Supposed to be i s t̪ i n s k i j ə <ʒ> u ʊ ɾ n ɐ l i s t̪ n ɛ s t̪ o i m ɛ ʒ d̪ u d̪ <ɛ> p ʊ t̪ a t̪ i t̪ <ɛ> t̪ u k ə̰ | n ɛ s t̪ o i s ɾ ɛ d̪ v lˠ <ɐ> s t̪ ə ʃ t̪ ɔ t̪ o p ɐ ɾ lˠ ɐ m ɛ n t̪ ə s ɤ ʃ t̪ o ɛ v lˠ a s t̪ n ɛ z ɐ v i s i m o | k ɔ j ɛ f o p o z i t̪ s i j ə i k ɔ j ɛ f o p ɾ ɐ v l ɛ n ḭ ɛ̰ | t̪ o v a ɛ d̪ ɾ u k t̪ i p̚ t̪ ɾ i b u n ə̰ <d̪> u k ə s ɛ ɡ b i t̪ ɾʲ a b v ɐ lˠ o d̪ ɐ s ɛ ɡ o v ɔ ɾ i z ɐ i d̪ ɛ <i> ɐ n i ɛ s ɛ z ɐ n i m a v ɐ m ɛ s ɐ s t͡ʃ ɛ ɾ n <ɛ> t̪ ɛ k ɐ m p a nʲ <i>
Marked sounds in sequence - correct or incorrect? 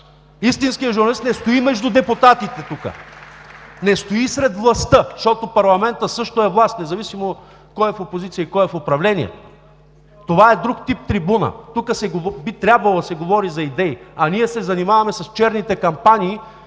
correct, correct, correct, correct, incorrect, correct, incorrect, incorrect

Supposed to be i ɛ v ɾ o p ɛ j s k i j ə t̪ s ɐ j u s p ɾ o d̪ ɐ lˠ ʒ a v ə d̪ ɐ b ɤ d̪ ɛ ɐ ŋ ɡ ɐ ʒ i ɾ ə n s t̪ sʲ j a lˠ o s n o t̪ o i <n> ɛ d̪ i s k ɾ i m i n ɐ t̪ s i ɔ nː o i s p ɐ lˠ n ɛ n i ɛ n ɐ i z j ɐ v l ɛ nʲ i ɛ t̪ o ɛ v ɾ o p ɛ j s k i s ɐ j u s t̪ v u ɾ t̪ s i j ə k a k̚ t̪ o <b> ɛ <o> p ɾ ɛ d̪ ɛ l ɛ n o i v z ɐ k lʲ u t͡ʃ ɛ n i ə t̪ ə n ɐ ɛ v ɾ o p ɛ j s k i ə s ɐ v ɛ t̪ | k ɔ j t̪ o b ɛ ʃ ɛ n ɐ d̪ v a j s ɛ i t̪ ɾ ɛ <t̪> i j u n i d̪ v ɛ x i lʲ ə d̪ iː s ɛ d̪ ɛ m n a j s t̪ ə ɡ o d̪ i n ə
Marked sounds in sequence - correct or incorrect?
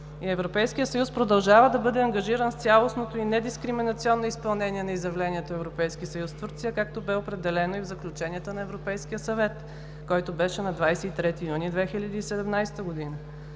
correct, correct, correct, correct

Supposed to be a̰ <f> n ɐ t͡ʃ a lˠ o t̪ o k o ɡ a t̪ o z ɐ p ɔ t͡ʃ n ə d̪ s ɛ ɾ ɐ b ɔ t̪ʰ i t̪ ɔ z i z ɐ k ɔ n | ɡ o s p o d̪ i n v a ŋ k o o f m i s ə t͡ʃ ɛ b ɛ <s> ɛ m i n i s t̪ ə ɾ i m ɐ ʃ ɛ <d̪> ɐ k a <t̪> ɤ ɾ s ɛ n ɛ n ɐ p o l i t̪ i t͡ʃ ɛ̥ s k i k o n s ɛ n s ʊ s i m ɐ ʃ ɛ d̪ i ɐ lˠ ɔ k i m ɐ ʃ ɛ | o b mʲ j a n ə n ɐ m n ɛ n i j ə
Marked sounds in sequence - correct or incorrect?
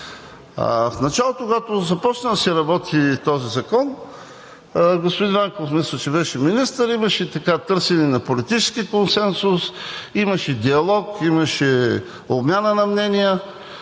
correct, incorrect, incorrect, correct

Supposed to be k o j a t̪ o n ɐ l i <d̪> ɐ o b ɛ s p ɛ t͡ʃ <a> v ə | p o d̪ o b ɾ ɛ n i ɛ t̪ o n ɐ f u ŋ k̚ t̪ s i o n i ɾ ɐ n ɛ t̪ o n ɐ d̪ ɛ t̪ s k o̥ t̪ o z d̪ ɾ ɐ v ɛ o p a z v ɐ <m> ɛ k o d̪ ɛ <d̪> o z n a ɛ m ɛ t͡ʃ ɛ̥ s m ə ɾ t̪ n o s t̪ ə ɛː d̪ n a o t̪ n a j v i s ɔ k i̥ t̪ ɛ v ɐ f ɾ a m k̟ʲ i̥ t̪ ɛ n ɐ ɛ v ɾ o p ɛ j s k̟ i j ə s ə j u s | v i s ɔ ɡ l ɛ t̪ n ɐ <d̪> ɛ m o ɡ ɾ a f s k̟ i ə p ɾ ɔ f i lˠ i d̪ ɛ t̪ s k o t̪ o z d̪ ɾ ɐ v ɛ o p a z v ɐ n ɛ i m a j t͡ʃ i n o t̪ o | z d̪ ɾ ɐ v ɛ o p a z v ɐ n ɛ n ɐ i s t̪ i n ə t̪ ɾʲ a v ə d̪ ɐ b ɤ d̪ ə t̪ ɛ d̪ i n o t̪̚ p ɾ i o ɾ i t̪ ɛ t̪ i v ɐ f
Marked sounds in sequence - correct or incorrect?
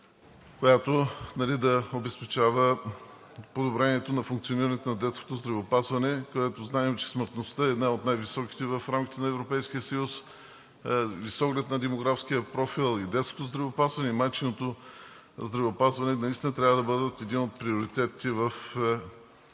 correct, correct, incorrect, incorrect, correct

